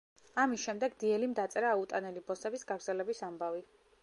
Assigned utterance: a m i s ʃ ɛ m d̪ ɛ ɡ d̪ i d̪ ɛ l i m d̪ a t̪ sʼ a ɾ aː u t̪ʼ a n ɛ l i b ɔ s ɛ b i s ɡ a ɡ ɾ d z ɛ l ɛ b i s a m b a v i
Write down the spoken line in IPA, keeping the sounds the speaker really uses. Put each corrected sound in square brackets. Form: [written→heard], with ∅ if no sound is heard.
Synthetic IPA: a m i s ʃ ɛ m d̪ ɛ ɡ d̪ i [d̪→∅] ɛ l i m d̪ a t̪ sʼ [a→ɛ] ɾ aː u t̪ʼ a n ɛ l i b ɔ s ɛ b i s ɡ a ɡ ɾ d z ɛ l ɛ b i s a m b a v i